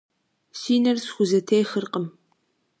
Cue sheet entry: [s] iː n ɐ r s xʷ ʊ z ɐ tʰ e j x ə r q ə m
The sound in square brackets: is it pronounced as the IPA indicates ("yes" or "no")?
yes